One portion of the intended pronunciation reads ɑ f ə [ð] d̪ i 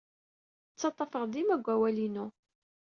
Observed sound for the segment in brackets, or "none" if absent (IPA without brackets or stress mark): ʁ